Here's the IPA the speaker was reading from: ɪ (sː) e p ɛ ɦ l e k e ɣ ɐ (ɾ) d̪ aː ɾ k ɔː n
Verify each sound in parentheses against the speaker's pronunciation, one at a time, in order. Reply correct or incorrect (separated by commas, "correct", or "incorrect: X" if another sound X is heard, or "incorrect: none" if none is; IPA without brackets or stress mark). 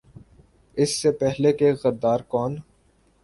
correct, correct